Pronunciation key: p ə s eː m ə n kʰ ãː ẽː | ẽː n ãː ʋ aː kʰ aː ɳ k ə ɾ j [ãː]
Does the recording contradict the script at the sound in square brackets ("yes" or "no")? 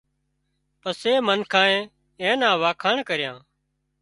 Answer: no